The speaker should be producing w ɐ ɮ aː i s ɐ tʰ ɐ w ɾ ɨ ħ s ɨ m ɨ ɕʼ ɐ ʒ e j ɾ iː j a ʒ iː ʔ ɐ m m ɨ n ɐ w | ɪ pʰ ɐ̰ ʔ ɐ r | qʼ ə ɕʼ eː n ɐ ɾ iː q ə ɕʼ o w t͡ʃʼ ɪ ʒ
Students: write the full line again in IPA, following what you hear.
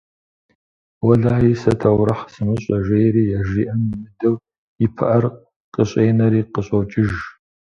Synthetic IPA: w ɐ ɮ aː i s ɐ tʰ ɐ w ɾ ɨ ħ s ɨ m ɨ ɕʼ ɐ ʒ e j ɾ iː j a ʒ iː ʔ ɐ m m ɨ d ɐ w | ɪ pʰ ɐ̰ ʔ ɐ r | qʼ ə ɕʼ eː n ɐ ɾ iː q ə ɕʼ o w t͡ʃʼ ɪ ʒ

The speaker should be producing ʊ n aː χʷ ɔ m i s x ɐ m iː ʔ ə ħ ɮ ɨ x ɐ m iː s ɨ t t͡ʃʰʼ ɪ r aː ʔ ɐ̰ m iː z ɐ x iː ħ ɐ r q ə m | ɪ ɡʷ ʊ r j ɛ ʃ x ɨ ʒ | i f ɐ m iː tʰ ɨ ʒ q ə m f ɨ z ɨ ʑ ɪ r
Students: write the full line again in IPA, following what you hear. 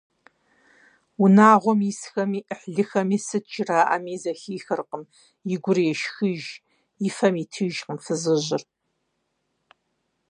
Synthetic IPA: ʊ n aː ʁʷ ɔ m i s x ɐ m iː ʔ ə ħ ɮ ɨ x ɐ m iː s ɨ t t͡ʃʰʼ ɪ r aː ʔ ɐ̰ m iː z ɐ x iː x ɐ r q ə m | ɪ ɡʷ ʊ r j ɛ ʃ x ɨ ʒ | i f ɐ m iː tʰ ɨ ʒ q ə m f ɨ z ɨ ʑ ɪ r

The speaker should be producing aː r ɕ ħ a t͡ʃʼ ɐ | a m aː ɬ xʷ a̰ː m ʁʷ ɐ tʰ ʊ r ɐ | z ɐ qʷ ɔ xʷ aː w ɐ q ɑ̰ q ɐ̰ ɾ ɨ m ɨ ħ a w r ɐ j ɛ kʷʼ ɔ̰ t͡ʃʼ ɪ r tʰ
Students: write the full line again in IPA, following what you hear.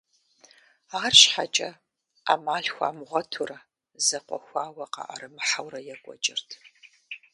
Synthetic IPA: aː r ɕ ħ a t͡ʃʼ ɐ | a m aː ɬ xʷ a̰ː m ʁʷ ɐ tʰ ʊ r ɐ | z ɐ qʷ ɔ xʷ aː w ɐ q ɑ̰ ʔ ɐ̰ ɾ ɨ m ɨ ħ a w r ɐ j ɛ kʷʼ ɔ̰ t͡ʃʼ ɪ r tʰ

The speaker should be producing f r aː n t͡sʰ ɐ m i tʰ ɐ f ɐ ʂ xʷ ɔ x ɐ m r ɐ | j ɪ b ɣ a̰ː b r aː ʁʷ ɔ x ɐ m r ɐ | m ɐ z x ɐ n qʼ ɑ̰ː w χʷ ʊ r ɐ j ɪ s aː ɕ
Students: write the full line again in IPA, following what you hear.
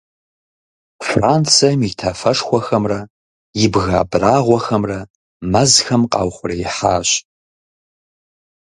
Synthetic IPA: f r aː n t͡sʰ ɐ m i tʰ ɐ f ɐ ʂ xʷ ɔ x ɐ m r ɐ | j ɪ b ɣ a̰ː b r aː ʁʷ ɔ x ɐ m r ɐ | m ɐ z x ɐ m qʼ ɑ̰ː w χʷ ʊ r ɐ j ɪ ħ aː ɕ

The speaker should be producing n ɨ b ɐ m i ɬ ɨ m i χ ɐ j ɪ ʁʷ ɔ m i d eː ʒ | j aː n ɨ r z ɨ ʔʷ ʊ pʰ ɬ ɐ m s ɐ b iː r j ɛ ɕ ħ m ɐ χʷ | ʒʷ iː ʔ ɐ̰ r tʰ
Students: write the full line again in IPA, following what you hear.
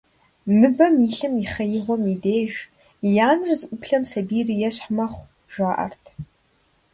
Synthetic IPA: n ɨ b ɐ m i ɬ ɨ m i χ ɐ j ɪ ʁʷ ɔ m i d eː ʒ | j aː n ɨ r z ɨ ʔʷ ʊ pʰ ɬ ɐ m s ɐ b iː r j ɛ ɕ ħ m ɐ χʷ | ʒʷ aː ʔ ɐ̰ r tʰ

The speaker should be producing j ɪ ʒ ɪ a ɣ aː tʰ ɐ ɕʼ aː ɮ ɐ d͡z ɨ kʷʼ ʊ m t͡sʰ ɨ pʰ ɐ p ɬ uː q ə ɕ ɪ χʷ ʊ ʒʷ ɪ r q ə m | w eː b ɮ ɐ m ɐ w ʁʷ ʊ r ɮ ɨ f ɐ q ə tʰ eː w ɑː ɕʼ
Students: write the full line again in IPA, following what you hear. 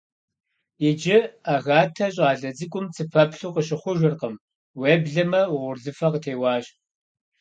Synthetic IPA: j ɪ d͡ʒ ɪ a ɣ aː tʰ ɐ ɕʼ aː ɮ ɐ d͡z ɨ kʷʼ ʊ m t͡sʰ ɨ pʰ ɐ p ɬ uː q ə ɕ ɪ χʷ ʊ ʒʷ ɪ r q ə m | w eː b ɮ ɐ m ɐ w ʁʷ ʊ r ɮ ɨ f ɐ q ə tʰ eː w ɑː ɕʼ

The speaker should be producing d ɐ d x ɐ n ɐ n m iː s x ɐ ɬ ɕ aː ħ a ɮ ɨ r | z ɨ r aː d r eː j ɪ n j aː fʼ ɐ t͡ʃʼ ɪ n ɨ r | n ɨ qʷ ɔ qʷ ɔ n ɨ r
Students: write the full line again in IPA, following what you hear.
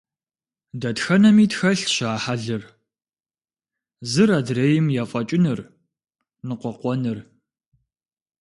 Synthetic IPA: d ɐ t x ɐ n ɐ m iː t x ɐ ɬ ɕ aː ħ a ɮ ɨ r | z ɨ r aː d r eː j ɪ m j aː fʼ ɐ t͡ʃʼ ɪ n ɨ r | n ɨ qʷ ɔ qʷ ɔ n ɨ r

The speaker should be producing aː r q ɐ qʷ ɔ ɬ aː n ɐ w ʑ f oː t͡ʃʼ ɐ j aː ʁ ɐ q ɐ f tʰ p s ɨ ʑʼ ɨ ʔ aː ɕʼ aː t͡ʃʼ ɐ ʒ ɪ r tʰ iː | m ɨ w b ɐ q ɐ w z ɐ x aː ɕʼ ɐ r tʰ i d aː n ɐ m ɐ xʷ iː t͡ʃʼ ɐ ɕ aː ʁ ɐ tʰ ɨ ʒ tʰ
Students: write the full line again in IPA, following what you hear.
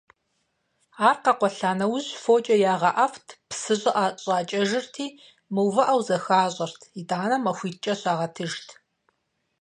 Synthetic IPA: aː r q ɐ qʷ ɔ ɬ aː n ɐ w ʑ f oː t͡ʃʼ ɐ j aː ʁ ɐ ʔ ɐ f tʰ p s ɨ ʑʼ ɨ ʔ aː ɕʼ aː t͡ʃʼ ɐ ʒ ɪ r tʰ iː | m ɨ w v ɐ ʔ ɐ w z ɐ x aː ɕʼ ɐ r tʰ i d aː n ɐ m ɐ xʷ iː t͡ʃʼ ɐ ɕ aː ʁ ɐ tʰ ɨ ʒ tʰ

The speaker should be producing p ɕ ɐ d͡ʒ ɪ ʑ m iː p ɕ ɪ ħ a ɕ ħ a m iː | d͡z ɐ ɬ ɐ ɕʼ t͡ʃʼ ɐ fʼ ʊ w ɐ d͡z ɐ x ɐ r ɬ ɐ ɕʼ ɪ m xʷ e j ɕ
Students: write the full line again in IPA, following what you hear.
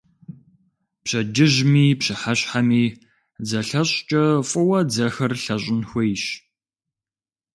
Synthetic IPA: p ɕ ɐ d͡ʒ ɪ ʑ m iː p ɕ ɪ ħ a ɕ ħ a m iː | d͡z ɐ ɬ ɐ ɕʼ t͡ʃʼ ɐ fʼ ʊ w ɐ d͡z ɐ x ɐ r ɬ ɐ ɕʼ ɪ n xʷ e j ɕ

